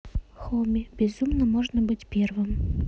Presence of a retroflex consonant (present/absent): present